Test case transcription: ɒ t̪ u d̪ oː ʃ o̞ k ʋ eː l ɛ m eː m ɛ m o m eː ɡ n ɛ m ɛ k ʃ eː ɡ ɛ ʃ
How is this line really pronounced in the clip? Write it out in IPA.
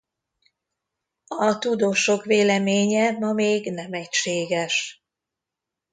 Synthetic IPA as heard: ɒ t̪ u d̪ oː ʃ o̞ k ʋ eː l ɛ m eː ɲ ɛ m ɒ m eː ɡ n ɛ m ɛ c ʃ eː ɡ ɛ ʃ